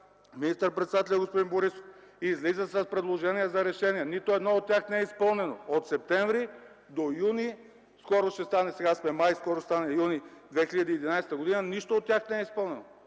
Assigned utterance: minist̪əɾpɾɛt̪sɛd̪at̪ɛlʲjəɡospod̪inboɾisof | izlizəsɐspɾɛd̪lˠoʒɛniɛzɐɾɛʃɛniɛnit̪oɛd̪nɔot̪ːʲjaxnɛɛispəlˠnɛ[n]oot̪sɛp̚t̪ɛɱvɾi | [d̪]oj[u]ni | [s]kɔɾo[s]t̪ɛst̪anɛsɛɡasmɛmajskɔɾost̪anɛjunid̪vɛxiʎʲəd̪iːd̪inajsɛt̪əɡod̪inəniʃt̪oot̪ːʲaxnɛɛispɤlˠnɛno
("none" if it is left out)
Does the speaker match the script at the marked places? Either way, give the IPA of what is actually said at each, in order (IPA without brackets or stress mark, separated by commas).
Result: n, d̪, u, s, ʃ